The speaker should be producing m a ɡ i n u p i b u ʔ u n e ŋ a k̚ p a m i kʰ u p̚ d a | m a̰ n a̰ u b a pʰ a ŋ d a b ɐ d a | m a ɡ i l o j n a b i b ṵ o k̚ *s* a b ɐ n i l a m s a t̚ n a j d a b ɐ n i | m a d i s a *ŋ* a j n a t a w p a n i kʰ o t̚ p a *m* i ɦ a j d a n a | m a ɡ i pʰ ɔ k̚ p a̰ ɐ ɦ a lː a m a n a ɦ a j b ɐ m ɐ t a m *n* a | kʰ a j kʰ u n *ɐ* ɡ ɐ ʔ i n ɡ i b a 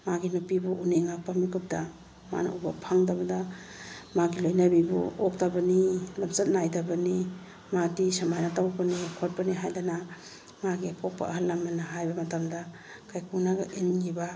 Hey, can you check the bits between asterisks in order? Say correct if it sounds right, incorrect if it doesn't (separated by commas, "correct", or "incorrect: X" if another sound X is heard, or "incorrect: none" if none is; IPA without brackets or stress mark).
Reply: incorrect: t, incorrect: m, incorrect: n, incorrect: d, incorrect: a